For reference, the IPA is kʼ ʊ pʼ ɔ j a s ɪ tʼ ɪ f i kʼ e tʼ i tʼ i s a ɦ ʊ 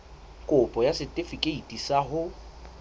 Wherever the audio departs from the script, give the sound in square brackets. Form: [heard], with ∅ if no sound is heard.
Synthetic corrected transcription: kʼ ʊ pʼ ɔ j a s ɪ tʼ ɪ f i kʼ e [∅] i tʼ i s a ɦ ʊ